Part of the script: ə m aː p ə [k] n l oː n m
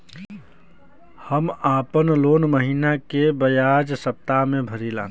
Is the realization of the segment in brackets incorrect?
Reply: yes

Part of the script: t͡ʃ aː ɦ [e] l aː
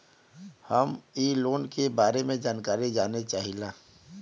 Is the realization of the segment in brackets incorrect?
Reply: yes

